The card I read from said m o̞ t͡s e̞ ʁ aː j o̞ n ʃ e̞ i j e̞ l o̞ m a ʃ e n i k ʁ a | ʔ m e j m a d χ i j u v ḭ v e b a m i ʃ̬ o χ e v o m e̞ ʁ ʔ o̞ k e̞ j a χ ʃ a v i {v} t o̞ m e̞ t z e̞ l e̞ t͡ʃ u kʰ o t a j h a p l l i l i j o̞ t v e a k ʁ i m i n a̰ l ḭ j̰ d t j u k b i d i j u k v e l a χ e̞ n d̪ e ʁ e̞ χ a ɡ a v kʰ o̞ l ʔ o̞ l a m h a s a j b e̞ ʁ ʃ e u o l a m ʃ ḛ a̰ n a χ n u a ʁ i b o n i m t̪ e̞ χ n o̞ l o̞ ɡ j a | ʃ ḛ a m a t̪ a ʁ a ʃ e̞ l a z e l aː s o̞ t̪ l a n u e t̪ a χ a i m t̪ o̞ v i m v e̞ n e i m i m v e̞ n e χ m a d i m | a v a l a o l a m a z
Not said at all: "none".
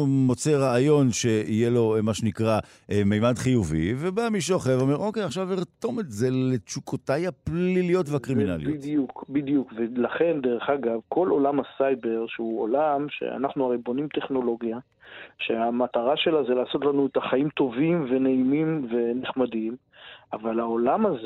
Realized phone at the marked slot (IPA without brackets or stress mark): ʁ